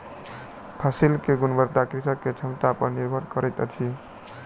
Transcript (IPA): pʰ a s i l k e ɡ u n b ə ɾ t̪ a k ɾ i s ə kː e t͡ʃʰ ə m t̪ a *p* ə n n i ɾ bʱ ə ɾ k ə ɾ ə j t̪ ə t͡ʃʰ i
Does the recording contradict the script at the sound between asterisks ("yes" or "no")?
no